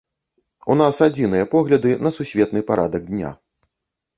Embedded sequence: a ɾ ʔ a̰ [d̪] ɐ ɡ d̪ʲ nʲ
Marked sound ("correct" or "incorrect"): correct